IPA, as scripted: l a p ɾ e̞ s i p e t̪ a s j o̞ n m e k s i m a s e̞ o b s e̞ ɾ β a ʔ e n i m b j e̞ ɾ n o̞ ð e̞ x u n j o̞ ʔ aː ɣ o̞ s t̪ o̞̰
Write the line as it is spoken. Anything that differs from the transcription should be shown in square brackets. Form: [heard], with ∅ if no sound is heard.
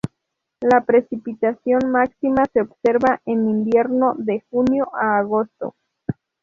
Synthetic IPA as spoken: l a p ɾ e̞ s i p [i] t̪ a s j o̞ n m [a] k s i m a s e̞ o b s e̞ ɾ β a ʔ e n i m b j e̞ ɾ n o̞ ð e̞ x u n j o̞ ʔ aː ɣ o̞ s t̪ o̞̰

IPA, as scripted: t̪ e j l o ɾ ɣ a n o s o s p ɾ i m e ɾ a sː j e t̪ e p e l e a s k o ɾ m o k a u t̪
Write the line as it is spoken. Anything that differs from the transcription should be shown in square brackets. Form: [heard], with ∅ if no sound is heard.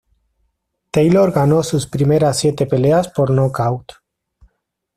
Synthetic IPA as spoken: t̪ e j l o ɾ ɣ a n o s [u] s p ɾ i m e ɾ a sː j e t̪ e p e l e a s [p] o ɾ [n] o k a [w] t̪

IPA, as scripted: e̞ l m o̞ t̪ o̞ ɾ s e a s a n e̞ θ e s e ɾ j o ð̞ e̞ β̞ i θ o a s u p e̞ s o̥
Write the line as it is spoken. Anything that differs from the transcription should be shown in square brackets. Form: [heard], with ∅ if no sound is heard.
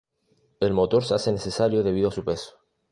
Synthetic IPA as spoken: e̞ l m o̞ t̪ o̞ ɾ s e a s [e] n e̞ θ e s [a] ɾ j o ð̞ e̞ β̞ i [ð] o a s u p e̞ s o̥

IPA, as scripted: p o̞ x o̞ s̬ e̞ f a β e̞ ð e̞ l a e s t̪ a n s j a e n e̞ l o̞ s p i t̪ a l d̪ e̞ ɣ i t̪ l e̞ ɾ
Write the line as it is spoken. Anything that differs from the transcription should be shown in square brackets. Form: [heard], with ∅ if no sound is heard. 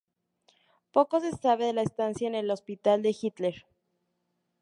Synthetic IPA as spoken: p o̞ [k] o̞ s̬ e̞ [s] a β e̞ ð e̞ l a e s t̪ a n s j a e n e̞ l o̞ s p i t̪ a l d̪ e̞ [x] i t̪ l e̞ ɾ

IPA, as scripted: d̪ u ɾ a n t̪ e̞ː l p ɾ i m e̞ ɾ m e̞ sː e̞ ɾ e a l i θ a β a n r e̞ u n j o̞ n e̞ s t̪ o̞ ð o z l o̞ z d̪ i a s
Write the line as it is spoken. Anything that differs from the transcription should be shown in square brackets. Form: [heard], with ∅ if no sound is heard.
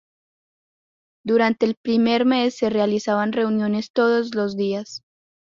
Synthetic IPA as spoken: d̪ u ɾ a n t̪ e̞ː l p ɾ i m e̞ ɾ m e̞ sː e̞ [r] e a l i [s] a β a n r e̞ u n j o̞ n e̞ s t̪ o̞ ð o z l o̞ z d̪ i a s

